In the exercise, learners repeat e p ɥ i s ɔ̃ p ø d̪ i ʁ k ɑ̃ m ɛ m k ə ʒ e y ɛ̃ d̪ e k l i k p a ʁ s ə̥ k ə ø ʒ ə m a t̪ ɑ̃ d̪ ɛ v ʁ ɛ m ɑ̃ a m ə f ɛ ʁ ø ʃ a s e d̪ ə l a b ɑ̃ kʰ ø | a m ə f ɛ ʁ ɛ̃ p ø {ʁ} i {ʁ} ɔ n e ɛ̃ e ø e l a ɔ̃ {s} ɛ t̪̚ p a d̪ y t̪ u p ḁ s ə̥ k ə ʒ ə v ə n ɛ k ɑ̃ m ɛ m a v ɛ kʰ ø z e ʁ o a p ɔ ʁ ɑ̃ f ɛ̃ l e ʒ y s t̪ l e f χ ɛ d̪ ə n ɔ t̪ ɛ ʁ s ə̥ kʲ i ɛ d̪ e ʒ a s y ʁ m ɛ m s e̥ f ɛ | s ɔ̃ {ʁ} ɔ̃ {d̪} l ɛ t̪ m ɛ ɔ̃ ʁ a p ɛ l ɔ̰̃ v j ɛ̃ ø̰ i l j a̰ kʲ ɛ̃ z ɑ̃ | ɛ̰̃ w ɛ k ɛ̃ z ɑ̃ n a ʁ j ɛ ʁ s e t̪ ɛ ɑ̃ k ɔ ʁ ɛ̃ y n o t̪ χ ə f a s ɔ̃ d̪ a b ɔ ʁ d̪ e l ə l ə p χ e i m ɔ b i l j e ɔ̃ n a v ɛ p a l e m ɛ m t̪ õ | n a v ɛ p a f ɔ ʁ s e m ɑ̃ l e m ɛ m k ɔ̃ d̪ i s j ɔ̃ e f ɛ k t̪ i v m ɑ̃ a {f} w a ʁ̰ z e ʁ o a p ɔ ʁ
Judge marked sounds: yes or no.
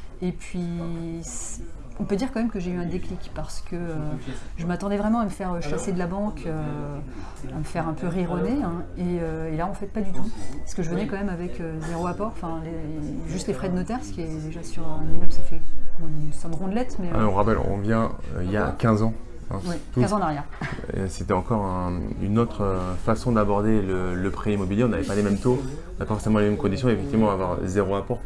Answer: yes, yes, no, yes, yes, no

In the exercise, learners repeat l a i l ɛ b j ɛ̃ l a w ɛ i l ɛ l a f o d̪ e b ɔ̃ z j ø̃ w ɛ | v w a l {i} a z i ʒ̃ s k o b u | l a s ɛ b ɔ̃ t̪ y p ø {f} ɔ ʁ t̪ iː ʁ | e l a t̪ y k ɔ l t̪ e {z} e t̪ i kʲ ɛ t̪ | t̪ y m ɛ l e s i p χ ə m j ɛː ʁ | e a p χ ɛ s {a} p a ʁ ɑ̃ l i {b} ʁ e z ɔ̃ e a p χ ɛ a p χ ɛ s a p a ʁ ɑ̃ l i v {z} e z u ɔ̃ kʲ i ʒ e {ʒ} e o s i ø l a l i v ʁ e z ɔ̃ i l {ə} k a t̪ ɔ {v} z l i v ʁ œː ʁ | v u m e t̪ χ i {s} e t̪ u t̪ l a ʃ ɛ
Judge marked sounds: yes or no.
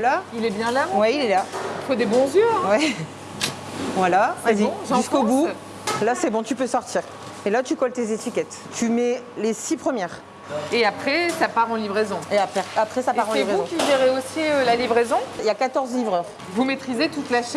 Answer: no, no, yes, yes, no, no, no, no, no, no

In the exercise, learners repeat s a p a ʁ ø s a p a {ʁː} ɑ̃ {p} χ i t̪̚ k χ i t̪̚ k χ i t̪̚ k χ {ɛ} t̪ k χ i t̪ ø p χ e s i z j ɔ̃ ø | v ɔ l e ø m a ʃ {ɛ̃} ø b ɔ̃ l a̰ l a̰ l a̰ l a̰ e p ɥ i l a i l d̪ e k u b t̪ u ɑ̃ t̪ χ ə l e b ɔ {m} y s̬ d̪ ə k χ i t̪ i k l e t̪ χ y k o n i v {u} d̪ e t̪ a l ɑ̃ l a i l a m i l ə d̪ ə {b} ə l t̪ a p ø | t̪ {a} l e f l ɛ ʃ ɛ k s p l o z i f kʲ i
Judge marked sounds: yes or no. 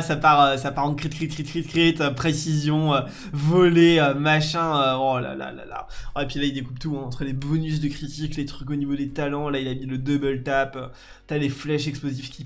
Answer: no, no, no, yes, no, no, yes, yes

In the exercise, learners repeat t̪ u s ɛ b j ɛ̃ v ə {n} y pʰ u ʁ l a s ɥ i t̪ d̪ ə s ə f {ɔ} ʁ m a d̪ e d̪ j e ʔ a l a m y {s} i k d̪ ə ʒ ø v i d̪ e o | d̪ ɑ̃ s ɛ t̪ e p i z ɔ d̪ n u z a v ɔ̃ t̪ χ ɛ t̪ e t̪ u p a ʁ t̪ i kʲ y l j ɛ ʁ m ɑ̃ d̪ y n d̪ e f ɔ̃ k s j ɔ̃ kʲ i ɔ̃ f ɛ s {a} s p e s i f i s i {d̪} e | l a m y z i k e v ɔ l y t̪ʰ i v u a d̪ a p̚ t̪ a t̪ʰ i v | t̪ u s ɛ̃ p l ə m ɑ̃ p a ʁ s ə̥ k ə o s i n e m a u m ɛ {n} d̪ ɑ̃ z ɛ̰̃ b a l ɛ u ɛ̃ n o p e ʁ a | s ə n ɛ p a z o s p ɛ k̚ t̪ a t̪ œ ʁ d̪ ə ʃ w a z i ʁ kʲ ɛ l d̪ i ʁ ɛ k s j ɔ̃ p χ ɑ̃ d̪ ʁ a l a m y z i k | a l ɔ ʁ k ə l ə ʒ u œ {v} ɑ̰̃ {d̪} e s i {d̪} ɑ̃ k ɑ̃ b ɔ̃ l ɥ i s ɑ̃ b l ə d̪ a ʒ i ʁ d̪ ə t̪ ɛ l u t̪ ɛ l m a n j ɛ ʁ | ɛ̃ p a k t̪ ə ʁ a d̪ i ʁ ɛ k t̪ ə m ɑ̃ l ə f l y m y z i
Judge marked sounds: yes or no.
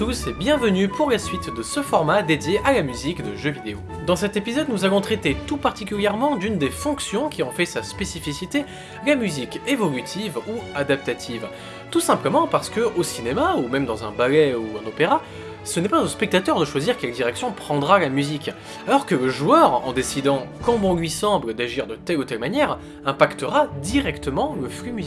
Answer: yes, yes, no, yes, no, no, no, yes, yes

